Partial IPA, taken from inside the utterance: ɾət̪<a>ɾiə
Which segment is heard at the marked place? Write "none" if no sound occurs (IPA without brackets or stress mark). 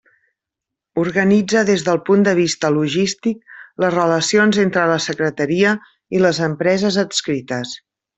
ə